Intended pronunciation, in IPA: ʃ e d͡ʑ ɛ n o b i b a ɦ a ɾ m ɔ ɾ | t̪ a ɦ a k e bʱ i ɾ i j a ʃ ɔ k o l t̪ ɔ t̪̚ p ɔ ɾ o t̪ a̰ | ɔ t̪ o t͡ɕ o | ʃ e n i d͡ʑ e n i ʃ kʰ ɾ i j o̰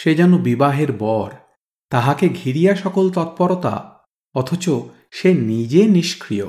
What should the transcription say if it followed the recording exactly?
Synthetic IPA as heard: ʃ e d͡ʑ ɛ n o b i b a ɦ e ɾ b ɔ ɾ | t̪ a ɦ a k e ɡʱ i ɾ i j a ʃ ɔ k o l t̪ ɔ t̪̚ p ɔ ɾ o t̪ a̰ | ɔ t̪ʰ o t͡ɕ o | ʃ e n i d͡ʑ e n i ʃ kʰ ɾ i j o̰